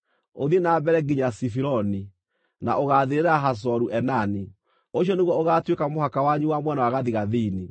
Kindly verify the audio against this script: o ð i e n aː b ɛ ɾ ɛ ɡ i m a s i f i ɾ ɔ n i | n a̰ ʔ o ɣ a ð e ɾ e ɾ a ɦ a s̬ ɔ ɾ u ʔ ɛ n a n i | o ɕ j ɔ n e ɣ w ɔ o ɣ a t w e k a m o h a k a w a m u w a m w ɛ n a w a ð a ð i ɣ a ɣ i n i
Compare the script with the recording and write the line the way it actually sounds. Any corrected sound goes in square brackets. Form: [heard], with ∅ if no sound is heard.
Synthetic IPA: o ð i e n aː b ɛ ɾ ɛ ɡ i [ɲ] a s i f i ɾ ɔ n i | n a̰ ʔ o ɣ a ð e ɾ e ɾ a ɦ a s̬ ɔ ɾ u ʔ ɛ n a n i | o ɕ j ɔ n e ɣ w ɔ o ɣ a t w e k a m o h a k a w a [ɲ] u w a m w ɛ n a w a [ɣ] a ð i ɣ a [ð] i n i